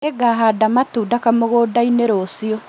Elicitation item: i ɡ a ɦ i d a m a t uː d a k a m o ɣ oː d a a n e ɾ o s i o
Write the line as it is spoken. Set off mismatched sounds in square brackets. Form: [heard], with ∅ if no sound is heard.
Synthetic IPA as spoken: [e] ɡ a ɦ [a] d a m a t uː d a k a m o ɣ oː d a [i] n e ɾ o s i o

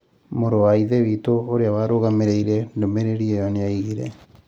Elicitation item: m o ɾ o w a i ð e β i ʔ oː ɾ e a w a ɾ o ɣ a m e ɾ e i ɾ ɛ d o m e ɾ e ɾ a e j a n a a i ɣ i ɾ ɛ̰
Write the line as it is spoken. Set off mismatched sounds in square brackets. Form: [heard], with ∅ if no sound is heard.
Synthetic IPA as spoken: m o ɾ o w a i ð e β i [t] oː ɾ e a w a ɾ o ɣ a m e ɾ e i ɾ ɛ d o m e ɾ e ɾ [i] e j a n [e] a i ɣ i ɾ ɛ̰

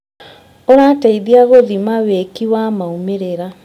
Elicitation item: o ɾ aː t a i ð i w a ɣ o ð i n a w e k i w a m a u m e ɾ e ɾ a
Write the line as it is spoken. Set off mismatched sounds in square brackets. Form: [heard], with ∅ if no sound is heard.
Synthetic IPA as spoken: o ɾ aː t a i ð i [∅] a ɣ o ð i [m] a w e k i w a m a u m e ɾ e ɾ a

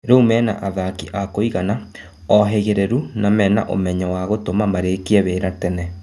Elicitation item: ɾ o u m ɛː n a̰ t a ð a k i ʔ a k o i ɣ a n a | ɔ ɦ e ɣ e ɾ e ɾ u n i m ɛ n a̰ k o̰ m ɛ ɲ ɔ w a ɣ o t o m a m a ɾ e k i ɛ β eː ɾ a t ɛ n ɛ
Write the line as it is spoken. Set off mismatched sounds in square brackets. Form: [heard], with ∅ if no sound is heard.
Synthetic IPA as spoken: ɾ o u m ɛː n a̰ [ʔ] a ð a k i ʔ a k o i ɣ a n a | ɔ ɦ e ɣ e ɾ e ɾ u n [a] m ɛ n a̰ [ʔ] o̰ m ɛ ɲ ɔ w a ɣ o t o m a m a ɾ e k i ɛ β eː ɾ a t ɛ n ɛ

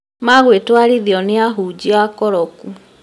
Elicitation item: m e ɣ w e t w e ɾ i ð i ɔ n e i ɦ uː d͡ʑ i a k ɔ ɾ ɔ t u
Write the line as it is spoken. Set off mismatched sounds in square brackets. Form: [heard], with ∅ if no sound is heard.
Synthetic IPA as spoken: m [a] ɣ w e t w [a] ɾ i ð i ɔ n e [a] ɦ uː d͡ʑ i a k ɔ ɾ ɔ [k] u

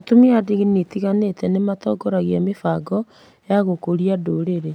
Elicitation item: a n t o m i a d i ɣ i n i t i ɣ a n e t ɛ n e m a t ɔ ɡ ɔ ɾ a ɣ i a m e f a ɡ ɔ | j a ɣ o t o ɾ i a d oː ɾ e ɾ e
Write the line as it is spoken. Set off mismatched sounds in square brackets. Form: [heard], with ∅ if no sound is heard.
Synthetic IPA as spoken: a [∅] t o m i a d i ɣ i n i t i ɣ a n e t ɛ n e m a t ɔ ɡ ɔ ɾ a ɣ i a m e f a ɡ ɔ | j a ɣ o [k] o ɾ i a d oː ɾ e ɾ e

